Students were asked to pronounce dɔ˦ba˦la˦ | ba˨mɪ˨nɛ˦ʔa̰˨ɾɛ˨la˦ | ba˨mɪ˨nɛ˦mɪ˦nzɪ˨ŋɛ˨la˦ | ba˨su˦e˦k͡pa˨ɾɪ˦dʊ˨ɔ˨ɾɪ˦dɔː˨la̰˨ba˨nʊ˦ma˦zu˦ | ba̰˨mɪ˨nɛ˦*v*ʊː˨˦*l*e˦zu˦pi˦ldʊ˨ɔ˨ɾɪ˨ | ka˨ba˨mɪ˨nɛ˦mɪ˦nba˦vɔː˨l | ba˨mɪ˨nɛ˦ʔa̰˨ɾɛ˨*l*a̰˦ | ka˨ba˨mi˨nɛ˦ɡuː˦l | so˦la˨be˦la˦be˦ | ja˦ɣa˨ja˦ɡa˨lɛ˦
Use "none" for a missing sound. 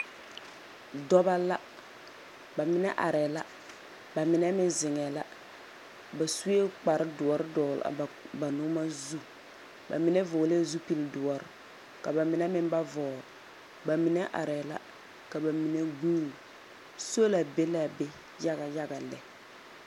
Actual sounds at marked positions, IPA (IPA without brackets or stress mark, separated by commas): v, l, l